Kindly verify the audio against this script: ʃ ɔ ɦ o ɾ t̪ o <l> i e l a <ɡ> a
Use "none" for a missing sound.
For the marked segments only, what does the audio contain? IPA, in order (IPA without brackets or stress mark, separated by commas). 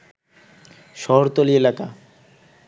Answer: l, k